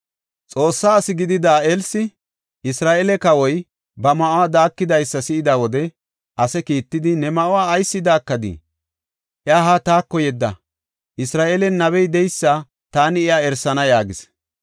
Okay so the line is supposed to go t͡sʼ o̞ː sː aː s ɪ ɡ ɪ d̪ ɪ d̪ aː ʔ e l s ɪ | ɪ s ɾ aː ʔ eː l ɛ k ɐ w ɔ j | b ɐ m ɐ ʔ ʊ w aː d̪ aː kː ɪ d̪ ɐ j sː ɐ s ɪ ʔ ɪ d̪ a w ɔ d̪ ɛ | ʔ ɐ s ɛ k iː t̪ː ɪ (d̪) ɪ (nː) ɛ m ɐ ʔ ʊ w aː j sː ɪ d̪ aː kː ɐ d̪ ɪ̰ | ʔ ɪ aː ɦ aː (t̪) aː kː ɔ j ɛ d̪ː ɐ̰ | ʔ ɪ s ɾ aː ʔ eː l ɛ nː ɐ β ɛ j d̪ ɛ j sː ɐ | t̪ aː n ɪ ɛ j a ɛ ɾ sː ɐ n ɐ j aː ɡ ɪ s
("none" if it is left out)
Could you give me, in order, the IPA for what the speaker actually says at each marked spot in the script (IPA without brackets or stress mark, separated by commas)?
d̪, n, t̪